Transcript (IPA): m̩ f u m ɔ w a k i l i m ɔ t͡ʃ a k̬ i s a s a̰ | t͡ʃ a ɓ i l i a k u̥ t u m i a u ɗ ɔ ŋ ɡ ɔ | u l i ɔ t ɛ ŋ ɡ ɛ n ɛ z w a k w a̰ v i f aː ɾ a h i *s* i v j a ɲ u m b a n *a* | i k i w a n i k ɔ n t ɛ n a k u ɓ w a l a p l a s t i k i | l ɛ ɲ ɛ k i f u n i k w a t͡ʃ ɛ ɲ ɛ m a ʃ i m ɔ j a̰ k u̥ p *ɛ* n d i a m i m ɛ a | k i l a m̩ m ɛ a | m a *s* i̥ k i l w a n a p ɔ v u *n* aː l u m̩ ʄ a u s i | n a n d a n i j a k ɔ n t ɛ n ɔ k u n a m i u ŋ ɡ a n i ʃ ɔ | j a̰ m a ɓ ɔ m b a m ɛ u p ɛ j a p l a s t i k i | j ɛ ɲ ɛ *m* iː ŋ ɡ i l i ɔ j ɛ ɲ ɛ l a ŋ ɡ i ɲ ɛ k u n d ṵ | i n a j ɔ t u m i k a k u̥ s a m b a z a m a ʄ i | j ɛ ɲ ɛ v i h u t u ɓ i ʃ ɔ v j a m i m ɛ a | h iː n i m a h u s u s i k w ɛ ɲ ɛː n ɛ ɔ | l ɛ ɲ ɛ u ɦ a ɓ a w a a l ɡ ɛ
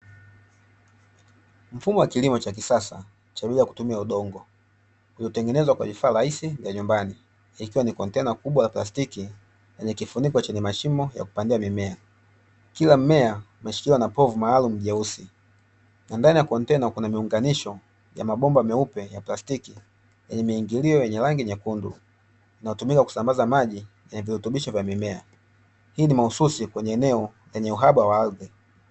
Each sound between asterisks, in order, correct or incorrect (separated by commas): correct, incorrect, incorrect, incorrect, incorrect, correct